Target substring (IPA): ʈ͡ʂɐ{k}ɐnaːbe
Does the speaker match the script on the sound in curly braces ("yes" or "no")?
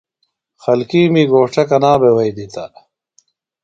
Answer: yes